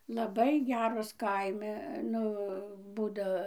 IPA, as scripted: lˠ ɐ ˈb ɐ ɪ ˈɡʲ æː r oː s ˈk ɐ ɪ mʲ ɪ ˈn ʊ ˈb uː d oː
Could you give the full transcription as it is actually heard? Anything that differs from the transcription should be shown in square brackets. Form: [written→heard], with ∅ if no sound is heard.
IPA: lˠ ɐ ˈb ɐ ɪ ˈɡʲ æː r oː s ˈk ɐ ɪ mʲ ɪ ˈn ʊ ˈb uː d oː